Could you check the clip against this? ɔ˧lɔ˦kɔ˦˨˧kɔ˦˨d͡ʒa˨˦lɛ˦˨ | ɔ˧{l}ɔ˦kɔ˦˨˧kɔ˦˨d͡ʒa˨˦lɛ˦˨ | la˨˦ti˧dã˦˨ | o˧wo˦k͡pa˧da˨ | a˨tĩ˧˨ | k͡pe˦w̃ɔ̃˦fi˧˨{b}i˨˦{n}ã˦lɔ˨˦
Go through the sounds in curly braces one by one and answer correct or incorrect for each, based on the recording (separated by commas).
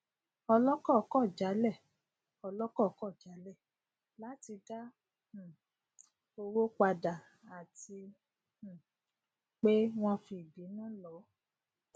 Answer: correct, correct, correct